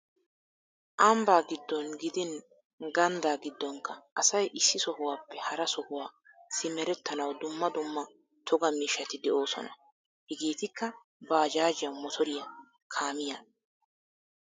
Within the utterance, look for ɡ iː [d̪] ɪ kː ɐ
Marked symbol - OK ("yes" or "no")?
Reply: no